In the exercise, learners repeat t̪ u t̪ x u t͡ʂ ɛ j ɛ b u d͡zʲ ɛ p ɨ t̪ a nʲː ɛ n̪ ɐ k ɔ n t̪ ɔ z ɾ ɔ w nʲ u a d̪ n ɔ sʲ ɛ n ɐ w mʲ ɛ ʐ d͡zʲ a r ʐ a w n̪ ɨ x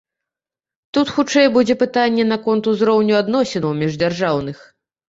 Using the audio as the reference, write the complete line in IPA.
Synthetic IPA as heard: t̪ u t̪ x u t͡ʂ ɛ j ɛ b u d͡zʲ ɛ p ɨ t̪ a nʲː ɛ n̪ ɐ k ɔ n t̪ u z ɾ ɔ w nʲ u a d̪ n ɔ sʲ ɛ n ɐ w mʲ ɛ ʐ d͡zʲ a r ʐ a w n̪ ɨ x

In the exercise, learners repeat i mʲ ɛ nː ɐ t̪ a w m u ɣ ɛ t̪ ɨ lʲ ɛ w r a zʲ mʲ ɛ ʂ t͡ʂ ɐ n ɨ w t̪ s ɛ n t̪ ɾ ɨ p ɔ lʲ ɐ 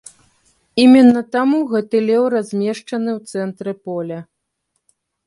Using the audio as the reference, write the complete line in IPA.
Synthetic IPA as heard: i mʲ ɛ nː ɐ t̪ a m u ɣ ɛ t̪ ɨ lʲ ɛ w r a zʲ mʲ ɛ ʂ t͡ʂ ɐ n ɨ w t̪ s ɛ n t̪ ɾ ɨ p ɔ lʲ ɐ

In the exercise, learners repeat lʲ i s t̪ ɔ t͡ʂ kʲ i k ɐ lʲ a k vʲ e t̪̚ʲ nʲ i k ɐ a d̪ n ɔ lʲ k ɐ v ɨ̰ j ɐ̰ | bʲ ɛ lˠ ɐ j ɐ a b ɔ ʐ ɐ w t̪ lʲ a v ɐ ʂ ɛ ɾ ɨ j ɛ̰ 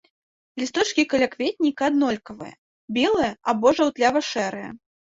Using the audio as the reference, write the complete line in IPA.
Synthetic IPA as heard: lʲ i s t̪ ɔ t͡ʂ kʲ i k ɐ lʲ a k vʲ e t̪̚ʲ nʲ i k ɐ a d̪ n ɔ lʲ k ɐ v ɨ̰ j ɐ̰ | bʲ ɛ lˠ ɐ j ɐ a b ɔ ʐ ɐ w t̪ lʲ a v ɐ ʂ ɛ ɾ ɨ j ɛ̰

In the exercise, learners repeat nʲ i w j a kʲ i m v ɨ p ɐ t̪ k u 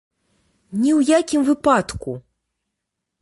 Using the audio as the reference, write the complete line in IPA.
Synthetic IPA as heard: nʲ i w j a kʲ i m v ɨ p a t̪ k u

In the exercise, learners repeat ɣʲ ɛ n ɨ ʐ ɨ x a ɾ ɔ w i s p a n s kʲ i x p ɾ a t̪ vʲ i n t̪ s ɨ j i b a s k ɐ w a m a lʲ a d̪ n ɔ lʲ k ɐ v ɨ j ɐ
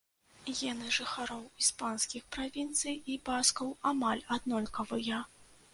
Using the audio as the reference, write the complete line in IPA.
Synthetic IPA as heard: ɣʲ ɛ n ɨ ʐ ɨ x a ɾ ɔ w i s p a n s kʲ i x p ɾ a vʲ i n t̪ s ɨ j i b a s k ɐ w a m a lʲ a d̪ n ɔ lʲ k ɐ v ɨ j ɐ

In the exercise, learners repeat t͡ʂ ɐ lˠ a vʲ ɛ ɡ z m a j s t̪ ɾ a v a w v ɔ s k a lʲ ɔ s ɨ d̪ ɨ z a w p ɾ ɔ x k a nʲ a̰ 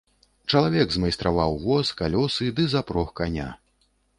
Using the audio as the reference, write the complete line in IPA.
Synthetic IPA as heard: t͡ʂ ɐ lˠ a vʲ ɛ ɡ z m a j s t̪ ɾ a v a w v ɔ s k a lʲ ɔ s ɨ d̪ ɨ z a p ɾ ɔ x k a nʲ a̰

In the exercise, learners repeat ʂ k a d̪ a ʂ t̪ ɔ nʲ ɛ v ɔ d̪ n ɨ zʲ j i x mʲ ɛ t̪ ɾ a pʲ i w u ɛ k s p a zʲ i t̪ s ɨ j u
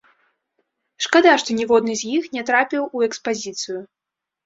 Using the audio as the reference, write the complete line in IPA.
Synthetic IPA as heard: ʂ k a d̪ a ʂ t̪ ɔ nʲ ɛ v ɔ d̪ n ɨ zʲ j i x nʲ ɛ t̪ ɾ a pʲ i w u ɛ k s p a zʲ i t̪ s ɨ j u

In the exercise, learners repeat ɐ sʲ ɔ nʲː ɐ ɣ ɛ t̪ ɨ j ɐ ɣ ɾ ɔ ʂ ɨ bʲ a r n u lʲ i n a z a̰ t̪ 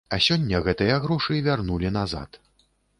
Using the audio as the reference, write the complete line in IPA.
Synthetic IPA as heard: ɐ sʲ ɔ nʲː ɐ ɣ ɛ t̪ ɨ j ɐ ɣ ɾ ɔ ʂ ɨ vʲ a r n u lʲ i n a z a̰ t̪

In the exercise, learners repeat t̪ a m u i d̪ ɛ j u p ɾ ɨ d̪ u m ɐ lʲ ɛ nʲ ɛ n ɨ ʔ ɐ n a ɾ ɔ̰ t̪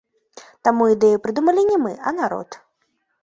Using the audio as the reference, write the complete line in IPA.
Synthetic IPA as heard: t̪ a m u i d̪ ɛ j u p ɾ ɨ d̪ u m ɐ lʲ i nʲ ɛ m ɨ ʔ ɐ n a ɾ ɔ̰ t̪

